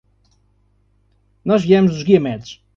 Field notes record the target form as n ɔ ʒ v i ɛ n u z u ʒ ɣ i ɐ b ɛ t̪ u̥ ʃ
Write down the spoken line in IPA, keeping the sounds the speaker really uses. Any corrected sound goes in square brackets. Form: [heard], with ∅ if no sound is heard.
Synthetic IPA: n ɔ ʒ v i ɛ [m] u z u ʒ ɣ i ɐ [m] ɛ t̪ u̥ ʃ